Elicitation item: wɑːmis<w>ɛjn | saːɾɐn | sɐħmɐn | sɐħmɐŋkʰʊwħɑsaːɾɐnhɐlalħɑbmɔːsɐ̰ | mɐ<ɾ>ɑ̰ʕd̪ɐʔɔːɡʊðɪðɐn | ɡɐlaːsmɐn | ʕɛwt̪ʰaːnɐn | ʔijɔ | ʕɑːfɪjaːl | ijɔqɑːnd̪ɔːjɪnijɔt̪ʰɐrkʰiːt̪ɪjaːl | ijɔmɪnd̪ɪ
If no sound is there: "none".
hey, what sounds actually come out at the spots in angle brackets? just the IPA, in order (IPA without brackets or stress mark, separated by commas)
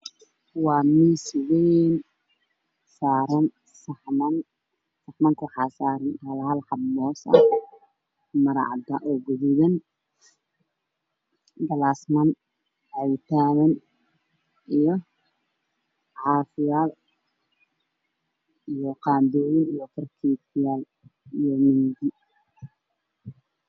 w, ɾ